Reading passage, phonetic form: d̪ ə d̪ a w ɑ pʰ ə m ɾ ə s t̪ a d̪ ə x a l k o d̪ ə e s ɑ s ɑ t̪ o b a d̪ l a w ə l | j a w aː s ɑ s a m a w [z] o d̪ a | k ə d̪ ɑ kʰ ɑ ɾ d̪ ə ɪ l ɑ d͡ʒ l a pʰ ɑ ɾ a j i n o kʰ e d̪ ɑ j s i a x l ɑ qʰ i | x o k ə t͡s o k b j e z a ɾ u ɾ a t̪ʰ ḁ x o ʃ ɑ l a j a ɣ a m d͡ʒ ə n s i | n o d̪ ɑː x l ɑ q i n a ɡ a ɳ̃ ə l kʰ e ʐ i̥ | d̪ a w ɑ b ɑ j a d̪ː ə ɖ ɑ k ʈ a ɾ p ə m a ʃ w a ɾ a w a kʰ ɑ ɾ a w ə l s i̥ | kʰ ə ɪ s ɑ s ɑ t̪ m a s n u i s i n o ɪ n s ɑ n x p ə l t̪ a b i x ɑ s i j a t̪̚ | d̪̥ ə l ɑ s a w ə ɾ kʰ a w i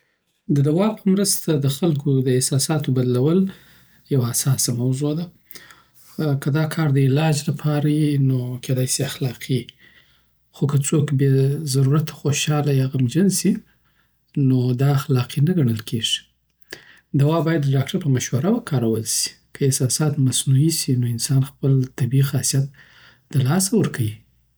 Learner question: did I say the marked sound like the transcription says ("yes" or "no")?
yes